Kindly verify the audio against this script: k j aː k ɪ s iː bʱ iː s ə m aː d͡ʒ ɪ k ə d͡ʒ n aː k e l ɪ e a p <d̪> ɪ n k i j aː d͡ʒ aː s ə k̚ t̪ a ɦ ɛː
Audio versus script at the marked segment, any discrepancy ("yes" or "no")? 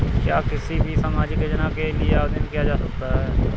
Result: no